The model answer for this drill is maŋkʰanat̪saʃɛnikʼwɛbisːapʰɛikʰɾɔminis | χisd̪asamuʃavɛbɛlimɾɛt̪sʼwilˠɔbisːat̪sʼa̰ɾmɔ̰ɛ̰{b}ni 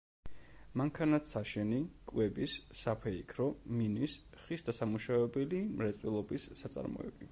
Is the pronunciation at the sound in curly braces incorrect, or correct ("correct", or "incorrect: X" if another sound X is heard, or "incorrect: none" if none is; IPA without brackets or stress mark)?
correct